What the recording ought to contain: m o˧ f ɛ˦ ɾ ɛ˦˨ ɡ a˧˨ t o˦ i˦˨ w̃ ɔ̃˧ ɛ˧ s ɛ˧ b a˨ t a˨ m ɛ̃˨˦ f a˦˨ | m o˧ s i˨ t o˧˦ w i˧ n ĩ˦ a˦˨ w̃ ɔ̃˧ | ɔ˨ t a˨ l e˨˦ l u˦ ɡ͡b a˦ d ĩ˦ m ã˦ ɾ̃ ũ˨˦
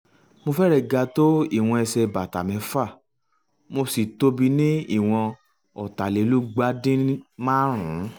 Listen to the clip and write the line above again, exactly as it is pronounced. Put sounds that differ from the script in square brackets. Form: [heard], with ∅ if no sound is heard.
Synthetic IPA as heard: m o˧ f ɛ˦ ɾ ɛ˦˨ ɡ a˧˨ t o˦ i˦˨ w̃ ɔ̃˧ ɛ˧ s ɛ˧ b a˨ t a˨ m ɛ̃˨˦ f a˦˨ | m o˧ s i˨ t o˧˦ [b] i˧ n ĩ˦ [i˦˨] w̃ ɔ̃˧ | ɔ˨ t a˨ l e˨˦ l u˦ ɡ͡b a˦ d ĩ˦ m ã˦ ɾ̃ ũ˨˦